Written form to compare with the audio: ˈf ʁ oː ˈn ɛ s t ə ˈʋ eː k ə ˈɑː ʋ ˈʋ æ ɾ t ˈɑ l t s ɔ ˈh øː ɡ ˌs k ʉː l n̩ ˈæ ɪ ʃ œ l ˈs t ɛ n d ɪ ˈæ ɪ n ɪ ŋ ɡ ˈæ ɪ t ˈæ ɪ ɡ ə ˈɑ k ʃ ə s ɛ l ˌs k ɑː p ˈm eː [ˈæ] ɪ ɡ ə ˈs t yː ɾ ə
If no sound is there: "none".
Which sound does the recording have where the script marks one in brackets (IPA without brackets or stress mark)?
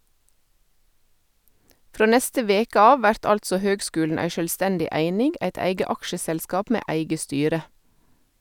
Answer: æ